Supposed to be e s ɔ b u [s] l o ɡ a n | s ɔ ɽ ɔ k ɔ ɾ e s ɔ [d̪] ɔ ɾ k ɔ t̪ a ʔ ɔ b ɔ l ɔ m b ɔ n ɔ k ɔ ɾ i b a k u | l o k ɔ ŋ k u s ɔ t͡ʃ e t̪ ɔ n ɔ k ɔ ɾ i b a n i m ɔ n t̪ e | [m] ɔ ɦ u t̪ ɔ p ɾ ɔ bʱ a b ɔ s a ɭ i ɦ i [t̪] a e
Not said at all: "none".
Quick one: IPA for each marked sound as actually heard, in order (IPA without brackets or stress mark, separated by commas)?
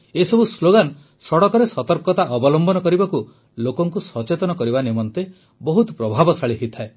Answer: s, t̪, b, t̪ʰ